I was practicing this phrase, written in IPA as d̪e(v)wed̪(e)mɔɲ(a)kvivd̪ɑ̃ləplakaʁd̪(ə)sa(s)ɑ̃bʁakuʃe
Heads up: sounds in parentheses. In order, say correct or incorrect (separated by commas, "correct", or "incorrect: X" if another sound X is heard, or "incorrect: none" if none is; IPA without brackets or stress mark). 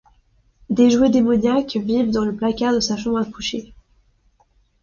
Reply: incorrect: ʒ, correct, correct, correct, incorrect: ʃ